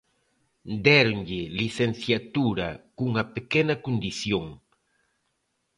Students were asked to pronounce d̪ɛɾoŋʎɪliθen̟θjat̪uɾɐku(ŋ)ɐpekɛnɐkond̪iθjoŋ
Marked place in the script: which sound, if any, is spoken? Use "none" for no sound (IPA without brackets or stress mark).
ŋ